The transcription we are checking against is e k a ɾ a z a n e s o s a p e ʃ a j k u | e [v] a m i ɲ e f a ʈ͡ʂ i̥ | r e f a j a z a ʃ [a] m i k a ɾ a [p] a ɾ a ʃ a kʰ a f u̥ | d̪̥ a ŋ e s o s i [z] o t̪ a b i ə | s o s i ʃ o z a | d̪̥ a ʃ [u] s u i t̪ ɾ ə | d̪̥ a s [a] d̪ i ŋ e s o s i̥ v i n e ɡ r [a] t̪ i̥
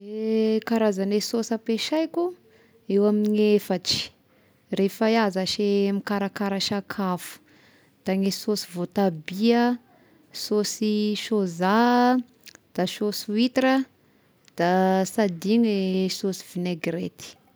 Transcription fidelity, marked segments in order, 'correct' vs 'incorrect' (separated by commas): incorrect, incorrect, incorrect, incorrect, incorrect, correct, incorrect